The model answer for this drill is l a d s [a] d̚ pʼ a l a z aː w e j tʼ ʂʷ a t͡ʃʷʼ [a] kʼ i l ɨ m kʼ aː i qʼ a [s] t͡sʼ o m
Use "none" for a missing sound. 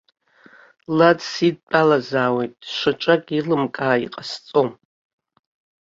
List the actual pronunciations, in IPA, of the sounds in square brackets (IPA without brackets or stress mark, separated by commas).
i, a, s